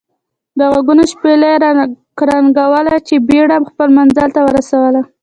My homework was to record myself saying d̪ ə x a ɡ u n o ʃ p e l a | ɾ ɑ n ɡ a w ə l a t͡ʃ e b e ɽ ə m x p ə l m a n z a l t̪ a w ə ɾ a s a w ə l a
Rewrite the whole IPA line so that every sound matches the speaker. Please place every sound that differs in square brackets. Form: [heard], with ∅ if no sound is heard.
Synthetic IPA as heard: d̪ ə [ɣ] a ɡ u n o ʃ p e l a | ɾ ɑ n ɡ a w ə l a t͡ʃ e b e ɽ [a] m x p ə l m a n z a l t̪ a w ə ɾ a s a w ə l a